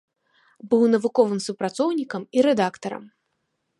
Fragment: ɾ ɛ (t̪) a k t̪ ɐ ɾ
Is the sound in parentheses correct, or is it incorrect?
incorrect